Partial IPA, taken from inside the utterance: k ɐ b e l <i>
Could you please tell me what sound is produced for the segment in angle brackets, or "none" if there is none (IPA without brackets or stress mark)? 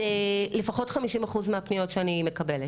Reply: e